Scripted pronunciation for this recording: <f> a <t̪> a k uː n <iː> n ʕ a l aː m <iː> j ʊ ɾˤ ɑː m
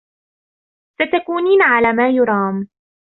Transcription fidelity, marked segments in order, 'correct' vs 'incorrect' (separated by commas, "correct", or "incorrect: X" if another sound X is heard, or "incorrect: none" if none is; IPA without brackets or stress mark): incorrect: s, correct, correct, incorrect: aː